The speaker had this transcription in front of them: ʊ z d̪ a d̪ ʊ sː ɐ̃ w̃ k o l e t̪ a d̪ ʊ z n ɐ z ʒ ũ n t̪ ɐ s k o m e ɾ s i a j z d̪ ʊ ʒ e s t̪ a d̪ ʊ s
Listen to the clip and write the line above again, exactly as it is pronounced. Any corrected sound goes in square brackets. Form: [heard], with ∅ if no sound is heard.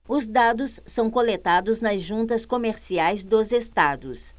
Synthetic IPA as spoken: ʊ z d̪ a d̪ ʊ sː ɐ̃ w̃ k o l e t̪ a d̪ ʊ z n ɐ z ʒ ũ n t̪ ɐ s k o m e ɾ s i a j z d̪ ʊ [z] e s t̪ a d̪ ʊ s